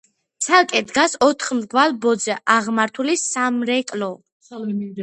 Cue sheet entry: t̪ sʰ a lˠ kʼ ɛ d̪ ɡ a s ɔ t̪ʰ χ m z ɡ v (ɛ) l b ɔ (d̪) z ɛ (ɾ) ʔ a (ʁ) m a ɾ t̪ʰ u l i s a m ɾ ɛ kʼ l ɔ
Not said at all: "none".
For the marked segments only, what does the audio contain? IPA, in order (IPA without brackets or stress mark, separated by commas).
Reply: a, d̪, none, ʁ